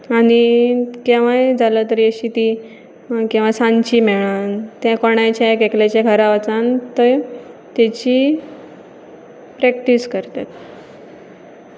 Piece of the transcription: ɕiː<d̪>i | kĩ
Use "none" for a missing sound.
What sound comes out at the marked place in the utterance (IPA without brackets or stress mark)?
t̪